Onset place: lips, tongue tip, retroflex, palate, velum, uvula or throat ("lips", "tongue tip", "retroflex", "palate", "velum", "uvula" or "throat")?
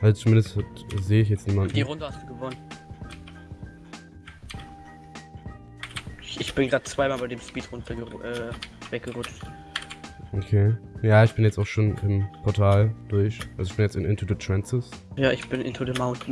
throat